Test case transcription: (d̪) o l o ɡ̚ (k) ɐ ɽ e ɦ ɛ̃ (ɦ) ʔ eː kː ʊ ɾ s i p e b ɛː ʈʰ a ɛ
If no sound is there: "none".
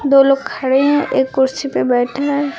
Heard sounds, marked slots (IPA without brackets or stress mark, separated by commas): d̪, kʰ, none